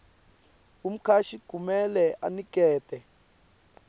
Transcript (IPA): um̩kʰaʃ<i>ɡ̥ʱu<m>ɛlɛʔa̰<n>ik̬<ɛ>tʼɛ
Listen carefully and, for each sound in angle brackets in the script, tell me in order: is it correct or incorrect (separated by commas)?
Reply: correct, correct, correct, incorrect